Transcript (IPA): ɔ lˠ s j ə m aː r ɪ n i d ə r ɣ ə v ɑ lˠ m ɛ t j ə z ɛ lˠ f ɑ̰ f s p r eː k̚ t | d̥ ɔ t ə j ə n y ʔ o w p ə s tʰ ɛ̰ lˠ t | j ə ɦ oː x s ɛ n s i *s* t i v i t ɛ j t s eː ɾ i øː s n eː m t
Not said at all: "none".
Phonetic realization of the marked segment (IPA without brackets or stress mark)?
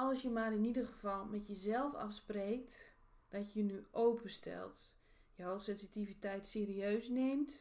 none